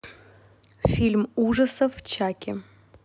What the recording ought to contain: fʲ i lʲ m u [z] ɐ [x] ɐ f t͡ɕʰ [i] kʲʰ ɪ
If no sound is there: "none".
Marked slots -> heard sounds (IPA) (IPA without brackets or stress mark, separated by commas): ʐ, s, a